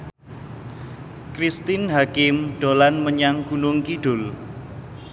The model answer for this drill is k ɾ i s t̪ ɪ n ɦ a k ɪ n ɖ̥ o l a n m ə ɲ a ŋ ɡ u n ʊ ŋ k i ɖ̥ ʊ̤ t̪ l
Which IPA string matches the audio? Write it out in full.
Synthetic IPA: k ɾ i s t̪ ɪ n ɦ a k ɪ m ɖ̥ o l a n m ə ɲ a ŋ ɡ u n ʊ ŋ k i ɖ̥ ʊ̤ l